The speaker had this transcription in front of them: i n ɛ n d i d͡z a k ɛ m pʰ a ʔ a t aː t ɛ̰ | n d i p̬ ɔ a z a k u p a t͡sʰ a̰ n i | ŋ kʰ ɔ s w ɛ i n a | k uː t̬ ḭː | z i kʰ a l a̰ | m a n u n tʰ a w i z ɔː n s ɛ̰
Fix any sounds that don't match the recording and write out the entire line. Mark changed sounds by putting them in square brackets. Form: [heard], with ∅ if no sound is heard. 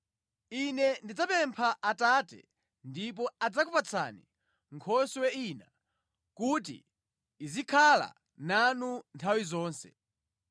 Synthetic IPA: i n ɛ n d i d͡z a [p] ɛ m pʰ a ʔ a t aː t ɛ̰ | n d i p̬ ɔ a [d͡z] a k u p a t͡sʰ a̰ n i | ŋ kʰ ɔ s w ɛ i n a | k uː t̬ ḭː | z i kʰ a l a̰ | [n] a n u n tʰ a w i z ɔː n s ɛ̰